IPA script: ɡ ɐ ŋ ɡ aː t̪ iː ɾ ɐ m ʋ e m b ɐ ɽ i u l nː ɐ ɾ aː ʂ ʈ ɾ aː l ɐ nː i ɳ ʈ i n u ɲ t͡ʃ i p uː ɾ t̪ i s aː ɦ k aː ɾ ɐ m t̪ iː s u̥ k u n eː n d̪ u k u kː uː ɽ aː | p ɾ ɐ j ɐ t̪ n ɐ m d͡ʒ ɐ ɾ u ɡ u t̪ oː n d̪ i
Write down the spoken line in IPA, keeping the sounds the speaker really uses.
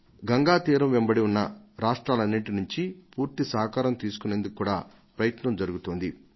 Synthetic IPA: ɡ ɐ ŋ ɡ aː t̪ iː ɾ ɐ m ʋ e m b ɐ ɽ i u nː ɐ ɾ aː ʂ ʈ ɾ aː l ɐ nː i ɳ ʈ i n u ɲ t͡ʃ i p uː ɾ t̪ i s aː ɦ k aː ɾ ɐ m t̪ iː s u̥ k u n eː n d̪ u k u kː uː ɽ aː | p ɾ ɐ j ɐ t̪ n ɐ m d͡ʒ ɐ ɾ u ɡ u t̪ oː n d̪ i